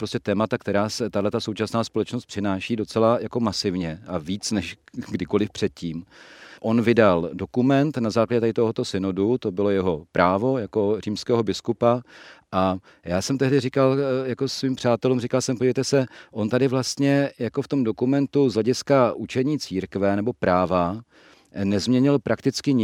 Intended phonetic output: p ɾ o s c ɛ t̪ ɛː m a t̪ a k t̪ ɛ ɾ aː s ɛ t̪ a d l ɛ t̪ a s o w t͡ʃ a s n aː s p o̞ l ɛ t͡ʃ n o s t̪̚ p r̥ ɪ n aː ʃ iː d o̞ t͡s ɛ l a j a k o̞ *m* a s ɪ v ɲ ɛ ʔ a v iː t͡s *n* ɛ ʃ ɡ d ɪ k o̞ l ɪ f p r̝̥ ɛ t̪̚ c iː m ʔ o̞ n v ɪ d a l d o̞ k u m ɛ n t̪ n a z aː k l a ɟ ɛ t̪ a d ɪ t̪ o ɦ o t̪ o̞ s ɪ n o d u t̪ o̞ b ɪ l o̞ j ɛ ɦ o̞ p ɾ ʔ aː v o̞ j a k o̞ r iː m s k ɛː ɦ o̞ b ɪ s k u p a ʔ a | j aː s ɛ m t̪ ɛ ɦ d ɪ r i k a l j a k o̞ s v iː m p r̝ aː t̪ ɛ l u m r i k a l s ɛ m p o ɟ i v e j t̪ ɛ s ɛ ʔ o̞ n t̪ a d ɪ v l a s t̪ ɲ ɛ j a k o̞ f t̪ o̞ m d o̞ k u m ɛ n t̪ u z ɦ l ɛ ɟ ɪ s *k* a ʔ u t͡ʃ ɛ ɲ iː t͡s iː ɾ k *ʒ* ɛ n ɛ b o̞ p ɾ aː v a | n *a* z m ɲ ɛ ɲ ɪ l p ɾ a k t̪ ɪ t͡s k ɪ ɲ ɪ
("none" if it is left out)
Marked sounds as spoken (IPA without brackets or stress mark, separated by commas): m, n, k, v, ɛ